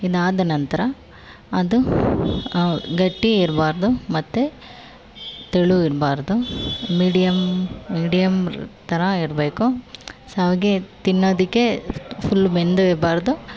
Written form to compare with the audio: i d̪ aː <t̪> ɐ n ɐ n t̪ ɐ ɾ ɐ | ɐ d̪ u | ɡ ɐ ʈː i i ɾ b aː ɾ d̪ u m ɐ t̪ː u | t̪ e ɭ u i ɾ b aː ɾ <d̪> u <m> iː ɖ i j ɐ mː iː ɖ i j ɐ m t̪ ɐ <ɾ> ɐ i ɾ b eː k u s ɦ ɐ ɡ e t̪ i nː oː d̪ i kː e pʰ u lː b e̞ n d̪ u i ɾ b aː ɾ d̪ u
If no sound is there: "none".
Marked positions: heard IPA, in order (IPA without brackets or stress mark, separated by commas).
d̪, d̪, m, ɾ